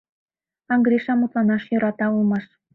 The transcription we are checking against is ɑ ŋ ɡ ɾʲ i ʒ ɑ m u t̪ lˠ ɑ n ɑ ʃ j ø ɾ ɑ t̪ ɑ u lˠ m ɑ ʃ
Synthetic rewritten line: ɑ ŋ ɡ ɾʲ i ʃ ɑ m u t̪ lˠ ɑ n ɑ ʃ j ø ɾ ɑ t̪ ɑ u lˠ m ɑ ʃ